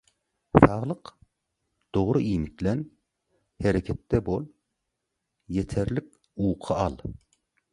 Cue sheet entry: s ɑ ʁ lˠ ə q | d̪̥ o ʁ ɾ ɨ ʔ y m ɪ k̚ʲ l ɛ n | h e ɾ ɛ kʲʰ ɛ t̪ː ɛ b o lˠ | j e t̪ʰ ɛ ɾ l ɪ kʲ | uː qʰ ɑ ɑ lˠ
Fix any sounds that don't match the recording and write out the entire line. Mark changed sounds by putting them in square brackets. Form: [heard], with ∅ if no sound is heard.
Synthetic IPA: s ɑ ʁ lˠ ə q | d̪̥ o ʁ ɾ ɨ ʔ [i] m ɪ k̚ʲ l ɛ n | h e ɾ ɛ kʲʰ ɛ t̪ː ɛ b o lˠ | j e t̪ʰ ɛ ɾ l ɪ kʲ | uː qʰ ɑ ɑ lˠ